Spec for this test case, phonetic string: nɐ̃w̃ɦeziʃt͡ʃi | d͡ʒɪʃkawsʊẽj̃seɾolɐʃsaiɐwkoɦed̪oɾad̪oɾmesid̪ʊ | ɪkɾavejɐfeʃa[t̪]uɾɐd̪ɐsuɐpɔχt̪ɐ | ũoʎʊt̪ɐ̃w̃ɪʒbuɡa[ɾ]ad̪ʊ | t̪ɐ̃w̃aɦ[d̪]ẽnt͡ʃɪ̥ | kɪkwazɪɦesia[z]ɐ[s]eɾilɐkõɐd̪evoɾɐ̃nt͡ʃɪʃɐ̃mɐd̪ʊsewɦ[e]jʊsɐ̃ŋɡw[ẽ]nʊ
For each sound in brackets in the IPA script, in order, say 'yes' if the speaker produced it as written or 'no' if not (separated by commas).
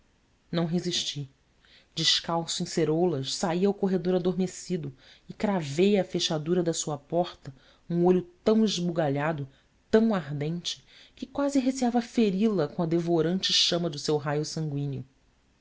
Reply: no, no, yes, no, no, no, no